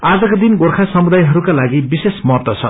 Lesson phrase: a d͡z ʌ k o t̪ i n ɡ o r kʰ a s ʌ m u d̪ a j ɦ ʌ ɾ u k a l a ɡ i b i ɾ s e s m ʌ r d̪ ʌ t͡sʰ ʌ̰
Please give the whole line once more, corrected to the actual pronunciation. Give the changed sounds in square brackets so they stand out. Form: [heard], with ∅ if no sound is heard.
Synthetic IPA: a d͡z ʌ k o [d̪] i n ɡ o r kʰ a s ʌ m u d̪ a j ɦ ʌ ɾ u k a l a ɡ i b i [∅] s e s m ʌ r [t̪] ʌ t͡sʰ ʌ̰